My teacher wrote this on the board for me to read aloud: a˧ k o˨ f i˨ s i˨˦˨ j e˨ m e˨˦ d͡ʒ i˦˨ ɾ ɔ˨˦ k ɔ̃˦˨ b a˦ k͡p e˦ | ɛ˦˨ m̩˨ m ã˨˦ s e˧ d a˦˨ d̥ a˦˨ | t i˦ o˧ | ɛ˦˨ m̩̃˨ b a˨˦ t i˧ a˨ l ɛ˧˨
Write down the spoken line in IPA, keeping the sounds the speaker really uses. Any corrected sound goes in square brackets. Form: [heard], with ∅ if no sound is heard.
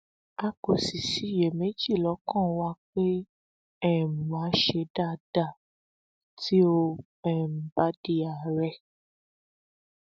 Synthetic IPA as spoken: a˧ k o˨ [s] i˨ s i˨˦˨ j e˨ m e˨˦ d͡ʒ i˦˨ [l] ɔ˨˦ k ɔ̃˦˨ [w] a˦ k͡p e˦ | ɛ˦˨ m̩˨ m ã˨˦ [ʃ] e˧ d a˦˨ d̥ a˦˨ | t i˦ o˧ | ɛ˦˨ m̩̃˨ b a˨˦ [d] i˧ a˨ [ɾ] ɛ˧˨